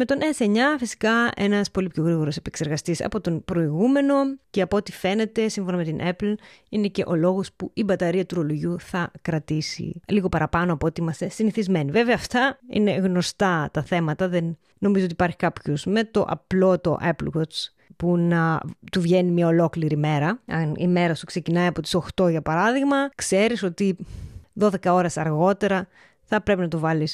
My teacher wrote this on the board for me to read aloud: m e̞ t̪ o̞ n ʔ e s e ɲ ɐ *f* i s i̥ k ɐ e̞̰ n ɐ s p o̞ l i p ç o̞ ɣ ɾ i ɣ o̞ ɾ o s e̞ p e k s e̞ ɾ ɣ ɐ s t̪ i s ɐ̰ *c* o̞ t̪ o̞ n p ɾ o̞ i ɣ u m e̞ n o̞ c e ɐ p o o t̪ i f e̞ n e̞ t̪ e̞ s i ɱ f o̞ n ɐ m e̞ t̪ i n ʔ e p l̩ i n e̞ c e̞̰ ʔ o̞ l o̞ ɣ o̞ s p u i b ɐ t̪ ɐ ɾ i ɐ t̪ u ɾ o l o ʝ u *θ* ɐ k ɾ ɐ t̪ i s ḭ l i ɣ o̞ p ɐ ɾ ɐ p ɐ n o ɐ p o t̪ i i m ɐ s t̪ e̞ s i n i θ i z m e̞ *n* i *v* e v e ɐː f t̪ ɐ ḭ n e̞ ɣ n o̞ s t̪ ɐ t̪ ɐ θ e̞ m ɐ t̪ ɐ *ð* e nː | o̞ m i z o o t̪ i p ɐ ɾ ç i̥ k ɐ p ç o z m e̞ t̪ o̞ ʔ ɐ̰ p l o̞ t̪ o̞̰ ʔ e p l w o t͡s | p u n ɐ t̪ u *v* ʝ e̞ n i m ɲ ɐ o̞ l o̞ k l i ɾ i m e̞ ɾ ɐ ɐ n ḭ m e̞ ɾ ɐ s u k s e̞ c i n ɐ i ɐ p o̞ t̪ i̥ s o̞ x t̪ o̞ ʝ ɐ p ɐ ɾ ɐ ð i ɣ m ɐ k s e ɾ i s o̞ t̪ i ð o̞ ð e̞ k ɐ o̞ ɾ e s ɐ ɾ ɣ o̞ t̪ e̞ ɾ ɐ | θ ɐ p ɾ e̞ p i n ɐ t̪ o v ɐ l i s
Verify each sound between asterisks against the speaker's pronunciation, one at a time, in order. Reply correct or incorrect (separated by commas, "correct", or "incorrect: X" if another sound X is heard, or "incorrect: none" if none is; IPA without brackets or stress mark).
correct, incorrect: p, correct, correct, correct, correct, correct